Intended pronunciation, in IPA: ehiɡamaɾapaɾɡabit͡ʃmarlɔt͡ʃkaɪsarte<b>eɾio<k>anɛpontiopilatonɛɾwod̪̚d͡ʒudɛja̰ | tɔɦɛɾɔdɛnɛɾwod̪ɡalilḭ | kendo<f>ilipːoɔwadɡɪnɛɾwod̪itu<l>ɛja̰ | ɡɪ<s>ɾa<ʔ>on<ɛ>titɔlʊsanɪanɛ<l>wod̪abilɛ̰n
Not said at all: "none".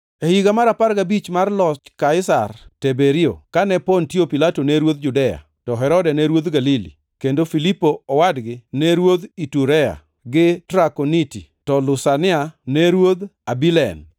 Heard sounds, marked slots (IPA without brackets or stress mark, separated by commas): b, k, f, ɾ, t, k, i, ɾ